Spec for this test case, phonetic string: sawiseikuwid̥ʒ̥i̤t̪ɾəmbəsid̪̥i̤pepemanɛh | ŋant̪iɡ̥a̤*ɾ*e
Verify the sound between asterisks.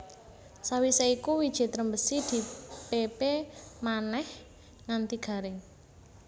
correct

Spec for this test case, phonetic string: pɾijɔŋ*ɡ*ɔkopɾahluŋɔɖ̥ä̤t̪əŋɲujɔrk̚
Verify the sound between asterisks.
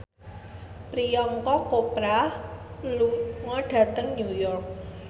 incorrect: k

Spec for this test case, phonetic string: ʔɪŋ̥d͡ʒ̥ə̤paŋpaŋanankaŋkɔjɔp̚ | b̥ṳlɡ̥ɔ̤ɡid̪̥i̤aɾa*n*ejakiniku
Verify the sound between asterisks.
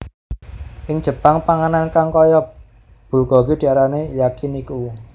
correct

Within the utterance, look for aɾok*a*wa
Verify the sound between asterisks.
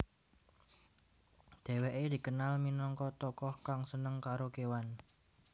incorrect: e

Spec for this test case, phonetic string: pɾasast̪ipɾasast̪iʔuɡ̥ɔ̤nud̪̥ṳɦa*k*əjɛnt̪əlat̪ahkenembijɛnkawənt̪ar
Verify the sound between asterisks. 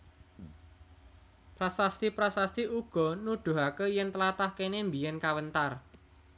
correct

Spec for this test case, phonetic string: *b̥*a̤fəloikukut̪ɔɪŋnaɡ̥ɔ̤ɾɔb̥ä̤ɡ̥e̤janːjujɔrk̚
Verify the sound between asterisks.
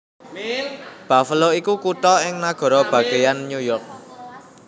correct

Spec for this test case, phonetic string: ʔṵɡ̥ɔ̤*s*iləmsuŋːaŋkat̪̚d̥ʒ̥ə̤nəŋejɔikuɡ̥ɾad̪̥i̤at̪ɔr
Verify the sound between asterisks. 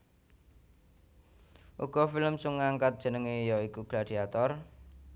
incorrect: f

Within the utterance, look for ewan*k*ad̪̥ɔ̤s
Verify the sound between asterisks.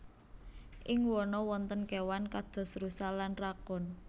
correct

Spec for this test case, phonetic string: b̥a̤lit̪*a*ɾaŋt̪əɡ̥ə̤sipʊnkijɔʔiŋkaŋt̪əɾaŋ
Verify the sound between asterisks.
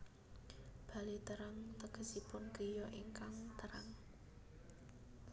incorrect: ə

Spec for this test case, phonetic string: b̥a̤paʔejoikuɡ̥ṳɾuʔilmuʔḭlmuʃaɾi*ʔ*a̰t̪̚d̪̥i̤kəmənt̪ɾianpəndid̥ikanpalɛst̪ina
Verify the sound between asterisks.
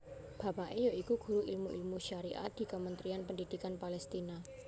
correct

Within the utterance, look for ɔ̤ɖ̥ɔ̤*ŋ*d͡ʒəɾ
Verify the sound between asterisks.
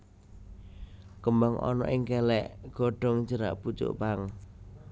correct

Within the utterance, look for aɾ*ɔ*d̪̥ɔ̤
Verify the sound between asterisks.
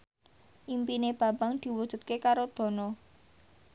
incorrect: o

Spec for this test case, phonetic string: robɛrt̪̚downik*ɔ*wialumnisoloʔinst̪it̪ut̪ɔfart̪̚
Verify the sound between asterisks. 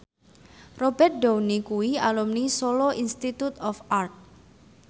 incorrect: u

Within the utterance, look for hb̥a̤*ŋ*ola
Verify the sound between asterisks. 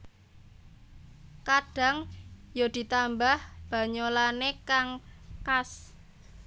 incorrect: ɲ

